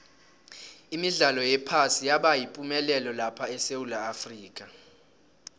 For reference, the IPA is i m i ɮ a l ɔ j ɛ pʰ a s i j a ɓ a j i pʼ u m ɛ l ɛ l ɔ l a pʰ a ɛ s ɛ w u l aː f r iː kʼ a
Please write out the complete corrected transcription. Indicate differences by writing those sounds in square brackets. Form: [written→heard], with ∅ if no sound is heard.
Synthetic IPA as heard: i m i ɮ a l ɔ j ɛ pʰ a s i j a ɓ a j i pʼ u m ɛ l ɛ l ɔ l a pʰ a ɛ s [ɛ→e] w u l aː f r iː kʼ a

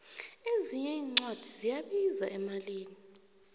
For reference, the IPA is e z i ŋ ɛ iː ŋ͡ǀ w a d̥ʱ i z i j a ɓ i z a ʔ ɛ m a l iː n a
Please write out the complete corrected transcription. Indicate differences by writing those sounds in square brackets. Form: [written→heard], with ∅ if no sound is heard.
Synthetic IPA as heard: e z i [ŋ→ɲ] ɛ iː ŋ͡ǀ w a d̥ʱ i z i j a ɓ i z a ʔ ɛ m a l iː n [a→i]

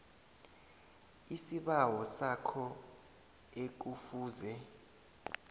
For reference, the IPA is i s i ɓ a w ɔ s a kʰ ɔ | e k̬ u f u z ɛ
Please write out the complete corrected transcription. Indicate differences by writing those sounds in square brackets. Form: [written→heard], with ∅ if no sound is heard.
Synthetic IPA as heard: i s i ɓ a w ɔ s a kʰ ɔ | e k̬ u f [u→uː] z ɛ

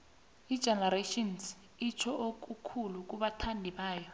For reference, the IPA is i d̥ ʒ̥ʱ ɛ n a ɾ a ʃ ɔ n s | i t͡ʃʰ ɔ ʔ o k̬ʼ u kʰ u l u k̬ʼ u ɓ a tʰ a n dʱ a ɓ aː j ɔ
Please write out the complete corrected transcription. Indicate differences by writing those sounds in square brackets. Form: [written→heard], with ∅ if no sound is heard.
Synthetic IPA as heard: i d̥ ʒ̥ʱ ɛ n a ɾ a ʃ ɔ n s | i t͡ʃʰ ɔ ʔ o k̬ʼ u kʰ u l u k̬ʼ u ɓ a tʰ a n dʱ [a→i] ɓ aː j ɔ

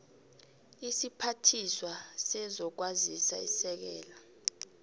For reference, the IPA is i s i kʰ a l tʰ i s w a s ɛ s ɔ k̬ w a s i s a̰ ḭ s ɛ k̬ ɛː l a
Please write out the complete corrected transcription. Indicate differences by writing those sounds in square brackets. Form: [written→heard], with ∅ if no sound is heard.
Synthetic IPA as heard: i s i [kʰ→pʰ] a [l→∅] tʰ i s w a s ɛ [s→z] ɔ k̬ w a [s→z] i s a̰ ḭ s ɛ k̬ ɛː l a

